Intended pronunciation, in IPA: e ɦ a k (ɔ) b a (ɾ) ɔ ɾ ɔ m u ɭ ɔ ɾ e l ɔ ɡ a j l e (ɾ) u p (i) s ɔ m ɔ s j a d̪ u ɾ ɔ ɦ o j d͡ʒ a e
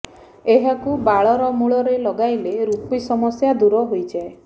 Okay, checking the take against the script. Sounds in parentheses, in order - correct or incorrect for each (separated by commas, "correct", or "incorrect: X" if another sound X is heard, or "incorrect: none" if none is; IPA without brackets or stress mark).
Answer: incorrect: u, incorrect: ɭ, correct, correct